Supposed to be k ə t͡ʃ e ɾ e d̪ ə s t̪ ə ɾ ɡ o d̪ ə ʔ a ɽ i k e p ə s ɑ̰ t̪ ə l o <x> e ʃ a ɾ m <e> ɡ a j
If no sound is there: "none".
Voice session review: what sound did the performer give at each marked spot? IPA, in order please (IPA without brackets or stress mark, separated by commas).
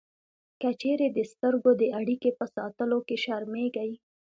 k, e